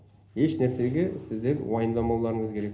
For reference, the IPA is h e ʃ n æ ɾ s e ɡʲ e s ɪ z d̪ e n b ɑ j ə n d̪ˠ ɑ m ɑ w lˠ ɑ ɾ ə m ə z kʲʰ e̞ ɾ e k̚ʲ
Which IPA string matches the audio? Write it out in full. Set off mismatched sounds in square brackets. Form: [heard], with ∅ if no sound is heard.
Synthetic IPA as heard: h e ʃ n æ ɾ s e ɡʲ e s ɪ z d̪ e n [w] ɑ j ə n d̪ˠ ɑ m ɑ w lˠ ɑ ɾ ə [ɴ] ə z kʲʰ e̞ ɾ e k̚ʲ